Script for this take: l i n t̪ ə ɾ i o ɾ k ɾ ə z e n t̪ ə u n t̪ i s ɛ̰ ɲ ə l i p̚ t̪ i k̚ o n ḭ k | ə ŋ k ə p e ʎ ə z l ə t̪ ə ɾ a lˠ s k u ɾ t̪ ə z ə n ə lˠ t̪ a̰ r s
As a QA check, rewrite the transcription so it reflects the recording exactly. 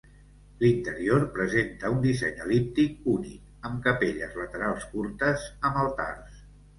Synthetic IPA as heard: l i n t̪ ə ɾ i o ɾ p ɾ ə z e n t̪ ə u n d̪ i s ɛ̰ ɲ ə l i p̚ t̪ i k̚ u n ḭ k | ə m k ə p e ʎ ə z l ə t̪ ə ɾ a lˠ s k u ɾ t̪ ə z ə m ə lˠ t̪ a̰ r s